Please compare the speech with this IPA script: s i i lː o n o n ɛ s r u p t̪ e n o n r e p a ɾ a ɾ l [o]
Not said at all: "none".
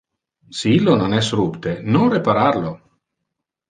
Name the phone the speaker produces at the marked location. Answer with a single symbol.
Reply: o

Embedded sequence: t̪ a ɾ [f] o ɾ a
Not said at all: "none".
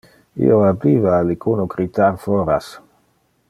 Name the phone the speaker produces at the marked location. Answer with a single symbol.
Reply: f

